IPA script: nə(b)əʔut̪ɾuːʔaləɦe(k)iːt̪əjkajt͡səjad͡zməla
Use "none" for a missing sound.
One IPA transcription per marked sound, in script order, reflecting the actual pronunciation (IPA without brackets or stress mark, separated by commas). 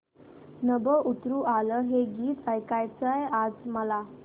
b, ɡ